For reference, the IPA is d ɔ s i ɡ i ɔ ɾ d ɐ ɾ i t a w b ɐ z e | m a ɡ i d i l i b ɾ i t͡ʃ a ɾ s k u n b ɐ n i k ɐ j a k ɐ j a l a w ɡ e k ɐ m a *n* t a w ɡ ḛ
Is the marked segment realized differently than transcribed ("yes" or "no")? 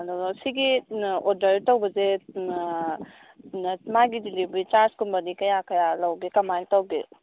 no